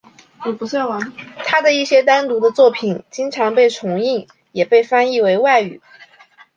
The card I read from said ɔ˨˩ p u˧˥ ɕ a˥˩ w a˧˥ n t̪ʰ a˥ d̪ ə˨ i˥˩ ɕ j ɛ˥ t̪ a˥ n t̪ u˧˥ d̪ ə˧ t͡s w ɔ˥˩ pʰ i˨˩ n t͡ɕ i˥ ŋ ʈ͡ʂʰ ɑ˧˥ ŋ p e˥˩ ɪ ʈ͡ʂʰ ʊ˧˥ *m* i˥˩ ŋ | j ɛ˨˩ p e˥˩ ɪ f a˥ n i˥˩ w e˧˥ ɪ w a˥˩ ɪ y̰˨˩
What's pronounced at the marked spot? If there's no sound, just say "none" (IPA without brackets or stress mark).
ŋ